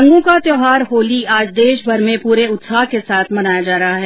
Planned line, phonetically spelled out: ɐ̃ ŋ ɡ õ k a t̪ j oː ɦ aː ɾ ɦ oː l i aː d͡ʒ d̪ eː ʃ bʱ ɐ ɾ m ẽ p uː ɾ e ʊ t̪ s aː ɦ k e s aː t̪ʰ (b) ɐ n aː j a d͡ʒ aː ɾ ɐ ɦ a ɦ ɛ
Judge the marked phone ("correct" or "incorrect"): incorrect